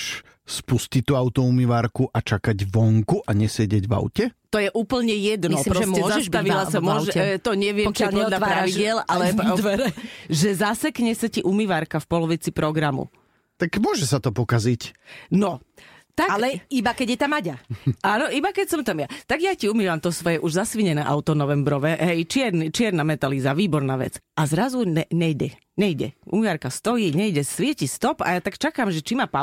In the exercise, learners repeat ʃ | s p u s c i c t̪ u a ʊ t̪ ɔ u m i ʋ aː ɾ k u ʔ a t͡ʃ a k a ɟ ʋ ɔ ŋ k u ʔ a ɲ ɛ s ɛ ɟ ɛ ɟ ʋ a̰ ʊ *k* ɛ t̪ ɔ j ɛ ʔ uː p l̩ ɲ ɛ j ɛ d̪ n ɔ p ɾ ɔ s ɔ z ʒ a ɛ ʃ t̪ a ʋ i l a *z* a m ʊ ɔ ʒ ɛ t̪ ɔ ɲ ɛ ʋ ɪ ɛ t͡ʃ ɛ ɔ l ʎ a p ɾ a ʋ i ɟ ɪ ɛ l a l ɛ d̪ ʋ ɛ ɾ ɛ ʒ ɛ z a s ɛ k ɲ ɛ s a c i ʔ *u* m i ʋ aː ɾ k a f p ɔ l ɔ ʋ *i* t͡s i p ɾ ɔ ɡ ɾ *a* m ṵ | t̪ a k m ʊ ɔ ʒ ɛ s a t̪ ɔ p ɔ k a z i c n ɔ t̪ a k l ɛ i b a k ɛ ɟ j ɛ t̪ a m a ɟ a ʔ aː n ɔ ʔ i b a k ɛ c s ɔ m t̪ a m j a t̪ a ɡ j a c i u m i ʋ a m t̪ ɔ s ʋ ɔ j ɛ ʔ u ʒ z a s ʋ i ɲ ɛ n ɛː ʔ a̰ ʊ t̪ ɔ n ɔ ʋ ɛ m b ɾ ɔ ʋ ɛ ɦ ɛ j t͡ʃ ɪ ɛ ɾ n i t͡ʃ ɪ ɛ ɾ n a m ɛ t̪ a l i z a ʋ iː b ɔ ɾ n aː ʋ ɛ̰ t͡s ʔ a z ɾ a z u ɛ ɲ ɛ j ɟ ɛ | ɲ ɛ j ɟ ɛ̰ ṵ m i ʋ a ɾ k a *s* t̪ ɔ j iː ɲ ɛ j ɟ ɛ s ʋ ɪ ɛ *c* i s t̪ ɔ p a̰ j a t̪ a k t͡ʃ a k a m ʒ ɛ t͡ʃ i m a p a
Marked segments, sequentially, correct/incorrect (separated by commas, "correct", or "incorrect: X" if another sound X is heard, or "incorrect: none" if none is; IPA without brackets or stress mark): incorrect: c, incorrect: s, correct, correct, correct, correct, correct